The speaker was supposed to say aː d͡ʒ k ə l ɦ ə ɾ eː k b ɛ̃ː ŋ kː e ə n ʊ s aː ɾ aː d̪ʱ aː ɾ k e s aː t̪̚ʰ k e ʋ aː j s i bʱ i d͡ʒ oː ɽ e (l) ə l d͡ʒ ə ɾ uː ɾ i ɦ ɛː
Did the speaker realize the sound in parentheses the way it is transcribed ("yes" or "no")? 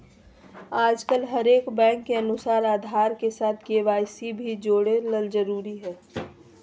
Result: yes